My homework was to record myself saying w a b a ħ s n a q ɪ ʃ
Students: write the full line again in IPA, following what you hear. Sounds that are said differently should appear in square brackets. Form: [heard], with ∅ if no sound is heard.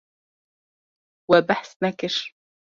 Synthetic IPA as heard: w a b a ħ s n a [k] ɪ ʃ